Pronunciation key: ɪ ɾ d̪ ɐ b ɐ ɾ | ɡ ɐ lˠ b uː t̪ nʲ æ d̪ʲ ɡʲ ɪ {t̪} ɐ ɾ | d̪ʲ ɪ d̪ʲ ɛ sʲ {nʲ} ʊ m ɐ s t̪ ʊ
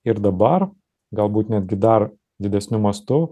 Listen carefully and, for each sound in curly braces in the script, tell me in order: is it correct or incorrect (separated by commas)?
incorrect, correct